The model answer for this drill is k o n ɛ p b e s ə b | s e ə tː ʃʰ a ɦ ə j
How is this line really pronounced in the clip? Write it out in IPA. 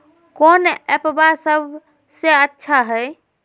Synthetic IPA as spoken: k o n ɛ p b a s ə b | s e ə tː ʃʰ a ɦ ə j